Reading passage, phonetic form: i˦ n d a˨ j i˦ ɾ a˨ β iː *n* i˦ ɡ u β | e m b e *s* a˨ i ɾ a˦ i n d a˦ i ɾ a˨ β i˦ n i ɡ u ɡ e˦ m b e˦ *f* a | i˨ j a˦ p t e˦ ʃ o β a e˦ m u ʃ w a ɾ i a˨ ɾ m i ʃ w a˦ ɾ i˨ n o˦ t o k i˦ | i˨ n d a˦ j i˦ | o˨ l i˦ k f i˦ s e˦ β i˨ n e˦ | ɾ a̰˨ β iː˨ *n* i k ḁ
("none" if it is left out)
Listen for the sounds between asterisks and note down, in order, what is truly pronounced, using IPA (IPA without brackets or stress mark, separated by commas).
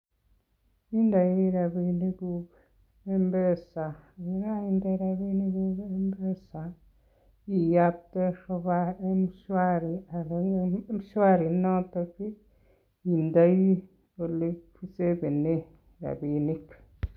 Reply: n, s, s, n